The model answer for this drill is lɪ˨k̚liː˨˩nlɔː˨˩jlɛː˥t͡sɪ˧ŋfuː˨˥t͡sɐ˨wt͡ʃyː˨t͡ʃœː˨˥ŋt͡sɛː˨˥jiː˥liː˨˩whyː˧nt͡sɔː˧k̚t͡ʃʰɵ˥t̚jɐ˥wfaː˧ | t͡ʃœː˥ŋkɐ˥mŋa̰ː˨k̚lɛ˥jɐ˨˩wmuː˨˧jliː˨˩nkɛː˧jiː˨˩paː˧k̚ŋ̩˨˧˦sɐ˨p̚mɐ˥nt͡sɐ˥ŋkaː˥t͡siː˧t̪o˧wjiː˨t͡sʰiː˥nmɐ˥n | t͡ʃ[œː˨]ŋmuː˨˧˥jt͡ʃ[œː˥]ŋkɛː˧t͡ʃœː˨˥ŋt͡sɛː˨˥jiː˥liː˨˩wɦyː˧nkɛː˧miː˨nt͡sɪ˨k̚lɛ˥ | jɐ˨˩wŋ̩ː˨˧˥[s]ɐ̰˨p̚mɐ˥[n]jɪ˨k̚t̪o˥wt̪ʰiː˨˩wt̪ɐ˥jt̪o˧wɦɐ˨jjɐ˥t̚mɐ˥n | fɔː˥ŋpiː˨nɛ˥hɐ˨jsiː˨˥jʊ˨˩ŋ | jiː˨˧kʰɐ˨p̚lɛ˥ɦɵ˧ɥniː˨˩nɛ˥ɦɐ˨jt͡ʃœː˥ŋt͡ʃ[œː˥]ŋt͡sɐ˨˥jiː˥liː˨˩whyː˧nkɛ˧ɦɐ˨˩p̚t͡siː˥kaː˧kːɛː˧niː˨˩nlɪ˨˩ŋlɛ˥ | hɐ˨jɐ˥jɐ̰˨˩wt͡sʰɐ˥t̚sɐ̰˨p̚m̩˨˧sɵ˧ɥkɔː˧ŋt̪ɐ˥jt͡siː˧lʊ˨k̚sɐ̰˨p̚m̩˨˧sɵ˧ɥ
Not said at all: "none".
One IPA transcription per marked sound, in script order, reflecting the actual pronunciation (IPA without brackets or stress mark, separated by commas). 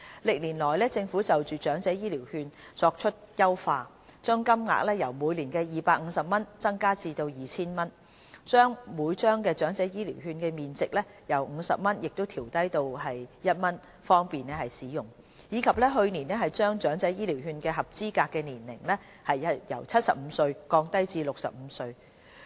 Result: œː˥, œː˥, s, n, œː˨˥